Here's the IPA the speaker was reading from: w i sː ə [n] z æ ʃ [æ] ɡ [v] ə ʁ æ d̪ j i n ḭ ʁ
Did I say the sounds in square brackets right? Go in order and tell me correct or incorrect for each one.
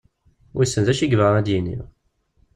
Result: correct, incorrect: i, correct

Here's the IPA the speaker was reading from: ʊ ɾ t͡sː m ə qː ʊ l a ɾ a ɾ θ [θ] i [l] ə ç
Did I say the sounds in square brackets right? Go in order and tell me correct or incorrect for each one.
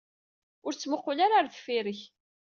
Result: incorrect: f, incorrect: ɾ

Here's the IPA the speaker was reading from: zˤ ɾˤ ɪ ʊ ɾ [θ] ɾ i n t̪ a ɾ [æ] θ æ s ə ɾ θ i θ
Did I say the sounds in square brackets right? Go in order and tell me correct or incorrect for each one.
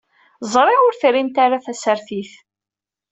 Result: correct, incorrect: a

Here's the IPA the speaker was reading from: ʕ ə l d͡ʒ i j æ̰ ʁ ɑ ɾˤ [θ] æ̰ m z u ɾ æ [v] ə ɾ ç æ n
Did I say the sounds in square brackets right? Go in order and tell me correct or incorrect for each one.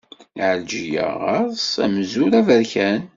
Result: incorrect: s, correct

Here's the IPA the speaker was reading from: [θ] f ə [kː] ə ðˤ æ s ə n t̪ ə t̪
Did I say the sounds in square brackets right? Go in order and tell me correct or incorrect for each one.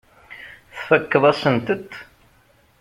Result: correct, correct

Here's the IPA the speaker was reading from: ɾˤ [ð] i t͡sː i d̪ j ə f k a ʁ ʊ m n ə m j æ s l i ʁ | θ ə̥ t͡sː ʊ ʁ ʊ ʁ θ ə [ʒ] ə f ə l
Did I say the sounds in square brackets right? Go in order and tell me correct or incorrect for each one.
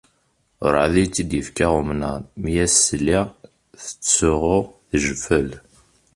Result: correct, correct

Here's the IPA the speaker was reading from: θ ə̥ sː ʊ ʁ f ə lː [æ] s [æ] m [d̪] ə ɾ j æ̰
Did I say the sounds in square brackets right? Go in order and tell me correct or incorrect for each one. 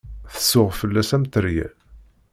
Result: correct, correct, incorrect: t̪

